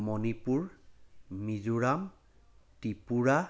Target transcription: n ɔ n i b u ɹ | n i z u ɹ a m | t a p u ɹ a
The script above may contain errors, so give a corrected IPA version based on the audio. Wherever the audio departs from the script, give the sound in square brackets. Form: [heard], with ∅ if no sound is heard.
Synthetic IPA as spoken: [m] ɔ n i [p] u ɹ | [m] i z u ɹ a m | t [i] p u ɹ a